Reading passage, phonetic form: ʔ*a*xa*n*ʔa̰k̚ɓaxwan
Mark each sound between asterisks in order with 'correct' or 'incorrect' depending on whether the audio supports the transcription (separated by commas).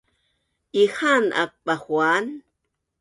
incorrect, correct